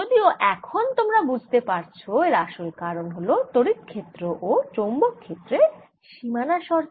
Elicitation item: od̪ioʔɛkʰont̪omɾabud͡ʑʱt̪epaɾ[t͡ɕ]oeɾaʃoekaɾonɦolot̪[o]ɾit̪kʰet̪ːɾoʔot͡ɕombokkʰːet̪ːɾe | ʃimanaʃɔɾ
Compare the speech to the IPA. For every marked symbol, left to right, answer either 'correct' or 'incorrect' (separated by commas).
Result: incorrect, correct